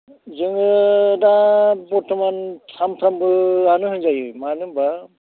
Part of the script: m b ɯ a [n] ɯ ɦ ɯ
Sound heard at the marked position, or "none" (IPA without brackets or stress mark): n